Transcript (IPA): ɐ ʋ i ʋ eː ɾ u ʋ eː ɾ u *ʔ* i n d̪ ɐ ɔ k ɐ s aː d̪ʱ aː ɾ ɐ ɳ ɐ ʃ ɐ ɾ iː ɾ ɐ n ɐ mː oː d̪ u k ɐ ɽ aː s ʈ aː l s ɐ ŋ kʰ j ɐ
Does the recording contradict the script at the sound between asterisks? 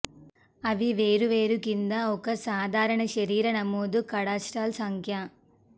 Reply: yes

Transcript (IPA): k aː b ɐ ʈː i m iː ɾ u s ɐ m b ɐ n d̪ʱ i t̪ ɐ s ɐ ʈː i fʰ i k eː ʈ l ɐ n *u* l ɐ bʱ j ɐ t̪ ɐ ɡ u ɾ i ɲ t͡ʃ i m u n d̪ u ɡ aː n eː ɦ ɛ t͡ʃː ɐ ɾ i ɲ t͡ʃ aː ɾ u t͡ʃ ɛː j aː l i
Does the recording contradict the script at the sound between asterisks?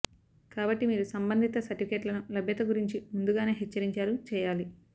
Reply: no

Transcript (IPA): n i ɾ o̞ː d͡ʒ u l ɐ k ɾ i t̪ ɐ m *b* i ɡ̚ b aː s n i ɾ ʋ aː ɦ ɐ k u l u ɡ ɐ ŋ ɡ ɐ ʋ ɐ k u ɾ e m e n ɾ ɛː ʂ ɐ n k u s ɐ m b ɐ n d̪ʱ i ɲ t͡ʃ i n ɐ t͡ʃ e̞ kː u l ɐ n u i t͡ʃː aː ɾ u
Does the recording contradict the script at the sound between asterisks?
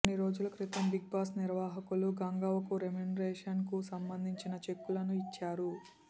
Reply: no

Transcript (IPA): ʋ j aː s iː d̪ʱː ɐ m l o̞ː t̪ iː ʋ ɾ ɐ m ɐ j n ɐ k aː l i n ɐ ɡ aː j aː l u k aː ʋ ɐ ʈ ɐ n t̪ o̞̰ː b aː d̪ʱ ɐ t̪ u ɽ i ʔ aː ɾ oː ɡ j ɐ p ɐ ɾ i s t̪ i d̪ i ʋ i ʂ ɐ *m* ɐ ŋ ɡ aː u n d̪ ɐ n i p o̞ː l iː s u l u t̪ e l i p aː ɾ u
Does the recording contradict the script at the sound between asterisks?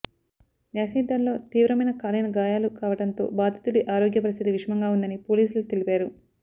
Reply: no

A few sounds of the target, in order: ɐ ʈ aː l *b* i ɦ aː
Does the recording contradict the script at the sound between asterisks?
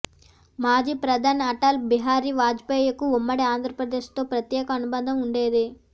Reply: no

